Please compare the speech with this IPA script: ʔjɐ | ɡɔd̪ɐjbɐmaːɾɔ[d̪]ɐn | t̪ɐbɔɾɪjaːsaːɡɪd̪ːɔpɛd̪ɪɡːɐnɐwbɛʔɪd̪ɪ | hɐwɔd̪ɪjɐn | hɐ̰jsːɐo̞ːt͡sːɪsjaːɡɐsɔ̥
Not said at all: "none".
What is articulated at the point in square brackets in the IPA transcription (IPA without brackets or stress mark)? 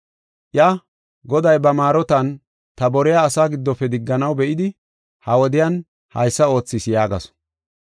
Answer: t̪